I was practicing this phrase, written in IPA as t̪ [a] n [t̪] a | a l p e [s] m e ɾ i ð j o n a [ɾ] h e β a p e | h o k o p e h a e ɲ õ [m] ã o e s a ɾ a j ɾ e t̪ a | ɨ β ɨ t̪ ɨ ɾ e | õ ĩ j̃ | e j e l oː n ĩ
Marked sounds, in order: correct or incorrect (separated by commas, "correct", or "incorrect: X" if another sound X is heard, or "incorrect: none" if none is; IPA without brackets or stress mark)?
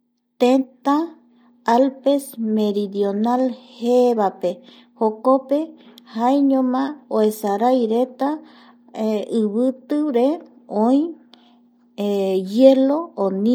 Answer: incorrect: e, correct, correct, incorrect: l, correct